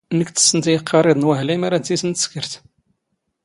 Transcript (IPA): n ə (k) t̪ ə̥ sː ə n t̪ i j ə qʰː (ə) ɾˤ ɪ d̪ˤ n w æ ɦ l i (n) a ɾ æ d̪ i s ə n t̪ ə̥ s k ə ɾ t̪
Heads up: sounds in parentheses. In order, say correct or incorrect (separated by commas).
correct, incorrect, incorrect